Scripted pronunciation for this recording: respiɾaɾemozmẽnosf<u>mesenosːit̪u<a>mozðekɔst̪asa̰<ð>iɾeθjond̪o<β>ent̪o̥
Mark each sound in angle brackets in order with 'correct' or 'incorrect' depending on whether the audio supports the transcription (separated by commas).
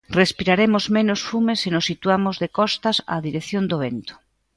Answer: correct, correct, correct, correct